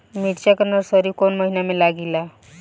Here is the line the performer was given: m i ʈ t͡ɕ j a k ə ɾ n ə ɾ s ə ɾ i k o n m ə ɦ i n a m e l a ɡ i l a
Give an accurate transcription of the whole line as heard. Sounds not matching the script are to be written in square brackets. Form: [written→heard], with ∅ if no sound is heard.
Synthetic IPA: m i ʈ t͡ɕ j a k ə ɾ n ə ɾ s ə ɾ i k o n m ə ɦ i n a m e l a ɡ i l a